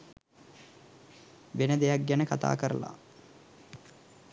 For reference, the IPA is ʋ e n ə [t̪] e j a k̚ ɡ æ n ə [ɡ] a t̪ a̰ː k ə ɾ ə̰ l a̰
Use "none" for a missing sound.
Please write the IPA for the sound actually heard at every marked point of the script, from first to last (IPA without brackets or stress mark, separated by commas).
d̪, k